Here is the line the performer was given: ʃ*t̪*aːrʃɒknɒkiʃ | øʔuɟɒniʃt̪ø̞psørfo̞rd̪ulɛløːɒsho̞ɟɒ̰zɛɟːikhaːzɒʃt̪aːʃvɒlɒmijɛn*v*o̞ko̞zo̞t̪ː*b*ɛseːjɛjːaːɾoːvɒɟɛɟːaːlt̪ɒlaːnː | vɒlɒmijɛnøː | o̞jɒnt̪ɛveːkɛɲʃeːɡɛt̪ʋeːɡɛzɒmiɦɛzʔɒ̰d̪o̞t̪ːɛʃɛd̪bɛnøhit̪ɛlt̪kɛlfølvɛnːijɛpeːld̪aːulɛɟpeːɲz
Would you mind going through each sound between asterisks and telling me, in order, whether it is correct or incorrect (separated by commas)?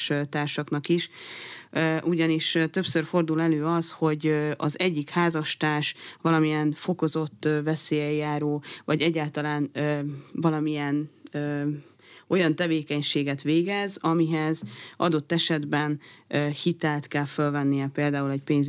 correct, incorrect, incorrect